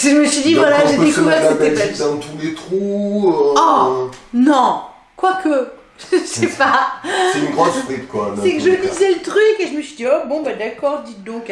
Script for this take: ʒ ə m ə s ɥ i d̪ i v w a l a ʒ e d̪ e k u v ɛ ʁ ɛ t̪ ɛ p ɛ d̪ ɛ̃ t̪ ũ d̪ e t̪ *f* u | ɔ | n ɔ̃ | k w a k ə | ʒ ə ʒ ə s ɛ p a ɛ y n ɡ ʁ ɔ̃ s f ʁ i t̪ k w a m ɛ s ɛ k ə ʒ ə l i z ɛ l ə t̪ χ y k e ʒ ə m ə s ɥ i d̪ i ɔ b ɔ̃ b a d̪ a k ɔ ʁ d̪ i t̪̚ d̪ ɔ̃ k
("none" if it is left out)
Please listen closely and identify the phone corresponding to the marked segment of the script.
χ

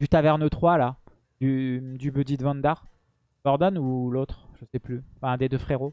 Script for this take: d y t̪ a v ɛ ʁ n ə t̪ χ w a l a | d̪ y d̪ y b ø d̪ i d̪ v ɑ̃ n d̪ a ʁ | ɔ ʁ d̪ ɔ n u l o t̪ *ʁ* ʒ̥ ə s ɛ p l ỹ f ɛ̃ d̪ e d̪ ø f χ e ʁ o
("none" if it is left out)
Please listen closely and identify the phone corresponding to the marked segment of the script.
χ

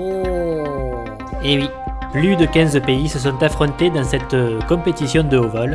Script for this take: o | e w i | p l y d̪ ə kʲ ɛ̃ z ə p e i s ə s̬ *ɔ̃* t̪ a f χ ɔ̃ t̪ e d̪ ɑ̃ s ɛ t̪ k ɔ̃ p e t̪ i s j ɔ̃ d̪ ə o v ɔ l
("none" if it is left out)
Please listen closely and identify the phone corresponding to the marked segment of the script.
ɔ̃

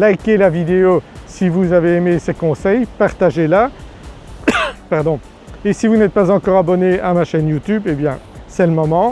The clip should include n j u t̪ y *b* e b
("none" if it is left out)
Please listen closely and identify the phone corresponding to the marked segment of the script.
b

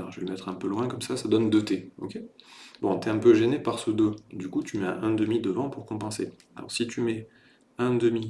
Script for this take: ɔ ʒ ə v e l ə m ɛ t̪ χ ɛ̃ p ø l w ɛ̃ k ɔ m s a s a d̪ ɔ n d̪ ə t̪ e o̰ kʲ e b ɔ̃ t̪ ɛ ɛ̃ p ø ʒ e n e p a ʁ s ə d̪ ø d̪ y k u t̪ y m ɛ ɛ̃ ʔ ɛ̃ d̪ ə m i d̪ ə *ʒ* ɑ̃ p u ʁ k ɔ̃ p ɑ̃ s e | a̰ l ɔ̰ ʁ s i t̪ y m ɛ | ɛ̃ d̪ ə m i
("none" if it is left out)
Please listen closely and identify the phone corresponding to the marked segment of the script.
v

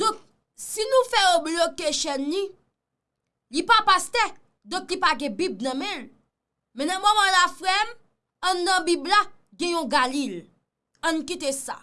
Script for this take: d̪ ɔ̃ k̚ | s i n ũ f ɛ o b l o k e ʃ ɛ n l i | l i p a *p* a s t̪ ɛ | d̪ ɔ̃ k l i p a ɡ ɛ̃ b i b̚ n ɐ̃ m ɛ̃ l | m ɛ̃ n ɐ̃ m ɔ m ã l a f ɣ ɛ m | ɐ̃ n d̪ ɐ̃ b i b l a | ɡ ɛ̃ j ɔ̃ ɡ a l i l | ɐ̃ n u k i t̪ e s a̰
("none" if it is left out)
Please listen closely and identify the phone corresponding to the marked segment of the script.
p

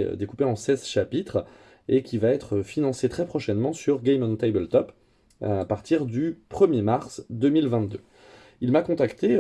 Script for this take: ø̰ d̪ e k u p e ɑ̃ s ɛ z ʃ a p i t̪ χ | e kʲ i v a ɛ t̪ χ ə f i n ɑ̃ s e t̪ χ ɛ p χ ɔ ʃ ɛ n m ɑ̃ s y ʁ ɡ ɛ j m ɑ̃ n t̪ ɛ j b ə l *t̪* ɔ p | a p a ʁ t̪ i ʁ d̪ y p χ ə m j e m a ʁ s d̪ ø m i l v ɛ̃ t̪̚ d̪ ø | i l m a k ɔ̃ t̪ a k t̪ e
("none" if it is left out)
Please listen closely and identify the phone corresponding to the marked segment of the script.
t̪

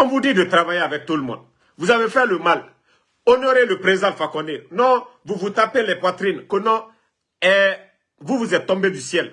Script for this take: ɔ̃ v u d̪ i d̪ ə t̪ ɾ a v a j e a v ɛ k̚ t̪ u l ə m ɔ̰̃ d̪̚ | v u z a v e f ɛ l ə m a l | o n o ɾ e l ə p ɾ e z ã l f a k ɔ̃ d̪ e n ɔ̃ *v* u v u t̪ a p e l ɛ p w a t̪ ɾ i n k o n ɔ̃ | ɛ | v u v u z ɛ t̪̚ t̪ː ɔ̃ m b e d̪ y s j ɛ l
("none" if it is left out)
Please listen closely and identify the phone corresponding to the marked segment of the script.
v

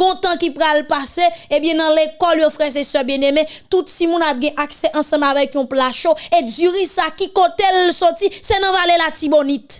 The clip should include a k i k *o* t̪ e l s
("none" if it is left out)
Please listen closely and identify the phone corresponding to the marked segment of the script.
o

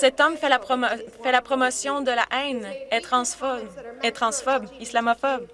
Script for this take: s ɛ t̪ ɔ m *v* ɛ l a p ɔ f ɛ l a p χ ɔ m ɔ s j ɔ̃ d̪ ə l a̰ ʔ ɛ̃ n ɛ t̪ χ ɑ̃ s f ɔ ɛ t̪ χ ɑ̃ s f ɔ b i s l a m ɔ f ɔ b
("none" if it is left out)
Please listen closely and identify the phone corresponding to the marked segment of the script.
f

